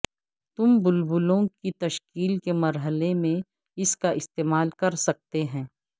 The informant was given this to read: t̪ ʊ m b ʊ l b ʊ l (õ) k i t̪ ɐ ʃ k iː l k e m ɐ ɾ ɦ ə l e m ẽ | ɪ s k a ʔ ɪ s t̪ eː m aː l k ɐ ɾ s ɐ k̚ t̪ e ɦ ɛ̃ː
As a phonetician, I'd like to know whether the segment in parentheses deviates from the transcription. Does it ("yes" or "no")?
no